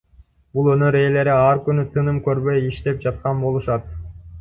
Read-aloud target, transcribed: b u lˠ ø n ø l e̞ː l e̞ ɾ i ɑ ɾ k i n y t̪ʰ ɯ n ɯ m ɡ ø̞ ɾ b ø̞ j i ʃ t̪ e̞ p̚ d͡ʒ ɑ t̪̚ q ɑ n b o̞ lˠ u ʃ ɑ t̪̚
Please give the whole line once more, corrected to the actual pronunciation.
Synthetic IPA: b u lˠ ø n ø ɾ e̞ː l e̞ ɾ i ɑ ɾ k y n y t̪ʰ ɯ n ɯ m k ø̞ ɾ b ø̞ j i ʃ t̪ e̞ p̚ d͡ʒ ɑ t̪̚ q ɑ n b o̞ lˠ u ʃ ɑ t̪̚